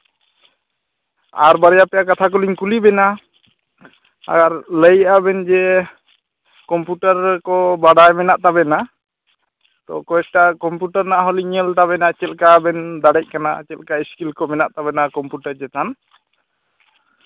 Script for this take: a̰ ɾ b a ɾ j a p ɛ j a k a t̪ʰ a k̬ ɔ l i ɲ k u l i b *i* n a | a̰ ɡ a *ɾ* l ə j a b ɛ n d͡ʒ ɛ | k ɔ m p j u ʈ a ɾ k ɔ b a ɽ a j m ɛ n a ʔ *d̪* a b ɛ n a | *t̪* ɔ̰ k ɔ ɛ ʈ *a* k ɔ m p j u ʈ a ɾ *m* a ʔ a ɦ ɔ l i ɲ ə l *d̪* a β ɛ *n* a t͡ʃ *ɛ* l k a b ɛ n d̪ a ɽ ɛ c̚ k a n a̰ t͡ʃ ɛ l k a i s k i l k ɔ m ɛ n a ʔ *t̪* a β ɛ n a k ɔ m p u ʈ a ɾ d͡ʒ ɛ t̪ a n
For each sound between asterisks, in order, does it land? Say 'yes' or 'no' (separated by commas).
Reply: no, yes, no, yes, yes, no, no, yes, yes, yes